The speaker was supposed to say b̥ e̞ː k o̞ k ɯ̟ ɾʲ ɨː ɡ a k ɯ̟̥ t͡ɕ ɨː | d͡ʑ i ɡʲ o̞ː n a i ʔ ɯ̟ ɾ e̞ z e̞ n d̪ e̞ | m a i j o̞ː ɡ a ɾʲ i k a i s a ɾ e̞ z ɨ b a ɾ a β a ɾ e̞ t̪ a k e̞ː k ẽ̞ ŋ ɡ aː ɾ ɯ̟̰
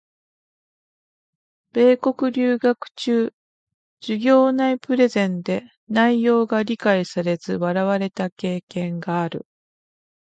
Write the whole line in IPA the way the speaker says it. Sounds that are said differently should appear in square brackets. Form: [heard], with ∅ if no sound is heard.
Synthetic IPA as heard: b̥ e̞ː k o̞ k ɯ̟ ɾʲ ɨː ɡ a k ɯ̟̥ t͡ɕ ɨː | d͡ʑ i ɡʲ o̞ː n a i [p] ɯ̟ ɾ e̞ z [ẽ̞] n d̪ e̞ | [n] a i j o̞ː ɡ a ɾʲ i k a i s a ɾ e̞ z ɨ [β] a ɾ a β a ɾ e̞ t̪ a k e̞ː k ẽ̞ ŋ ɡ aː ɾ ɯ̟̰